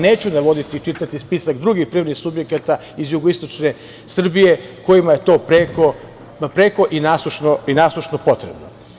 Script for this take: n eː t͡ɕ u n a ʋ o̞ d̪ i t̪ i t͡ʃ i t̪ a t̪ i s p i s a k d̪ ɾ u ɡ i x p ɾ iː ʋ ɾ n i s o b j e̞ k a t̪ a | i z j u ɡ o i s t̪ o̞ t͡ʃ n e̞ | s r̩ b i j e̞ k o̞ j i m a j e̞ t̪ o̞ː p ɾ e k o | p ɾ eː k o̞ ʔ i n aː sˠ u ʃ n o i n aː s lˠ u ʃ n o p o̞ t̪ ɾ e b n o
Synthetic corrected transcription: n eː t͡ɕ u n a ʋ o̞ d̪ i t̪ i t͡ʃ i t̪ a t̪ i s p i s a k d̪ ɾ u ɡ i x p ɾ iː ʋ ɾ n i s u b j e̞ k a t̪ a | i z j u ɡ o i s t̪ o̞ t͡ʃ n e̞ | s r̩ b i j e̞ k o̞ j i m a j e̞ t̪ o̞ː p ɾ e k o | p ɾ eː k o̞ ʔ i n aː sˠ u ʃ n o i n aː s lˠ u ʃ n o p o̞ t̪ ɾ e b n o